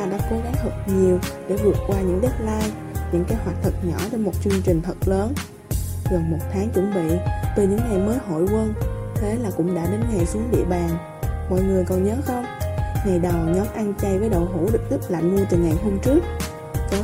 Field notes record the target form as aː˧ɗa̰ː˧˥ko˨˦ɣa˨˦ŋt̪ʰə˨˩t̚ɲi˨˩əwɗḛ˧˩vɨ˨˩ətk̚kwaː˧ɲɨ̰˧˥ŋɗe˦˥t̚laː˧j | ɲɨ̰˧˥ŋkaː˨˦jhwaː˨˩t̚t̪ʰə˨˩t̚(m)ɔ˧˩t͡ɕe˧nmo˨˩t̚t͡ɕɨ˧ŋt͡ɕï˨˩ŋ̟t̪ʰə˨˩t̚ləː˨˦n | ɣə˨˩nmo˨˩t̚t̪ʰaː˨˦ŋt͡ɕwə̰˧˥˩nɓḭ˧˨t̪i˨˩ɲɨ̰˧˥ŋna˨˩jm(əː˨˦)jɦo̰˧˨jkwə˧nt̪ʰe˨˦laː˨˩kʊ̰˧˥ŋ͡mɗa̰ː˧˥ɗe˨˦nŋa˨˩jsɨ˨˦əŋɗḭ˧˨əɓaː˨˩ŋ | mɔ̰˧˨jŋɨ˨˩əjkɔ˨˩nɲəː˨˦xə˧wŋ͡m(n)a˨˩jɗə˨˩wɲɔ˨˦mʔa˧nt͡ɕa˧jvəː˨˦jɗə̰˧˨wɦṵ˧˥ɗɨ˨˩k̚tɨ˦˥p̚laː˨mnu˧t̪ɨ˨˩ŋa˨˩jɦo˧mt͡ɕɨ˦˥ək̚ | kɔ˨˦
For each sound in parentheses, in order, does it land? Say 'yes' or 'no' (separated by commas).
no, yes, no